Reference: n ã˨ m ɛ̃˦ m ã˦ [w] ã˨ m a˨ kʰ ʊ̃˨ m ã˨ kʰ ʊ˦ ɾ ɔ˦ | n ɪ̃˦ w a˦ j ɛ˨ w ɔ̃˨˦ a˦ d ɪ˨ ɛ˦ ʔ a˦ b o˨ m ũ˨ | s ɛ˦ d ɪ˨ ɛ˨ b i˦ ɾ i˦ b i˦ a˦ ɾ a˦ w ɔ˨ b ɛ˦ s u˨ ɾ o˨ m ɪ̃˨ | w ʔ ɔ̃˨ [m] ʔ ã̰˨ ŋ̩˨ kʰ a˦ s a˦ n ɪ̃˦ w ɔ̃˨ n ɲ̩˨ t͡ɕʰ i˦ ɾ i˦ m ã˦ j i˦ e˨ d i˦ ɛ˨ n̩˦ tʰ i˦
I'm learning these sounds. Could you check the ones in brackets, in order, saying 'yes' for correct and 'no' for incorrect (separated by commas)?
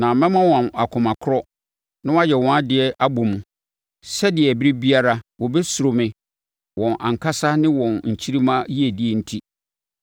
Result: yes, no